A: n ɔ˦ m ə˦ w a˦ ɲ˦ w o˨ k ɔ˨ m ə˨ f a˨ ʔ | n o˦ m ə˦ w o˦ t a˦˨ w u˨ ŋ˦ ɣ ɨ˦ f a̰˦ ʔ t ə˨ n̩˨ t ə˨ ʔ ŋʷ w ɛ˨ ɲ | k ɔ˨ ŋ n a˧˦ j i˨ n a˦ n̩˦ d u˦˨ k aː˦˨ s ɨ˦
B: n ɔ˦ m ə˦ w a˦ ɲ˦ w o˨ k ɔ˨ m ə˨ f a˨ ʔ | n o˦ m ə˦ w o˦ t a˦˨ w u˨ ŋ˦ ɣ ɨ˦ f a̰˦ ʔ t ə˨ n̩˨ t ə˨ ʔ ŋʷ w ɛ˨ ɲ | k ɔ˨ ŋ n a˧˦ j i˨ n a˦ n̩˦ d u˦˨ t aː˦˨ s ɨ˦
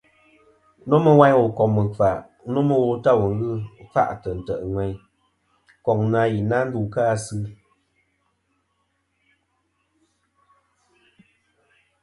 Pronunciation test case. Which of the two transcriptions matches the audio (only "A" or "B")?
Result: A